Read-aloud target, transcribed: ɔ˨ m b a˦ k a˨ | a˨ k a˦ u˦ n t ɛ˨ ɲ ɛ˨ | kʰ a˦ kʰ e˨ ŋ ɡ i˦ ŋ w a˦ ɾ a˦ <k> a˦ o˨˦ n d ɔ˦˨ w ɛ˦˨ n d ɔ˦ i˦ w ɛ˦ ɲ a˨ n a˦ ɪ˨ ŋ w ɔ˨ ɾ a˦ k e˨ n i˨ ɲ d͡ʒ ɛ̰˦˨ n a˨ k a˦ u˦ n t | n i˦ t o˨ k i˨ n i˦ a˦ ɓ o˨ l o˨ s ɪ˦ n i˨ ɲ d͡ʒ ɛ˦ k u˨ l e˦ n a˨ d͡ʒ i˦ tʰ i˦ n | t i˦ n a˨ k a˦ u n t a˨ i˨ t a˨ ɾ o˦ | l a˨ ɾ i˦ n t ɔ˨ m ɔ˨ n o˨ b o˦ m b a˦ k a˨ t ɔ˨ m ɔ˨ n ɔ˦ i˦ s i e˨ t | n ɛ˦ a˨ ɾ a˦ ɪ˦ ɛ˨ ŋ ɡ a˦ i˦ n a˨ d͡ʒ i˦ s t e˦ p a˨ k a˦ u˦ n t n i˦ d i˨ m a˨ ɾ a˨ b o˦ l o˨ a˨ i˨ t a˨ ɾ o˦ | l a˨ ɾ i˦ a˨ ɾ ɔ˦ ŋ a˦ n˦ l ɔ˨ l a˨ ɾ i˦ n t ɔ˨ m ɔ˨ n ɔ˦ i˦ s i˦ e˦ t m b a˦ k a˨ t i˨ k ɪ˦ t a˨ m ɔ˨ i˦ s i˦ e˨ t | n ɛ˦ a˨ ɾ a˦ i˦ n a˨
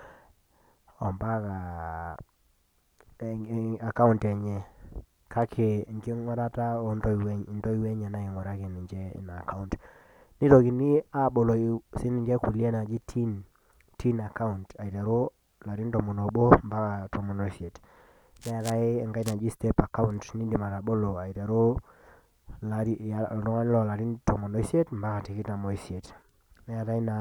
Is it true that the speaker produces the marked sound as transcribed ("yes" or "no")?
no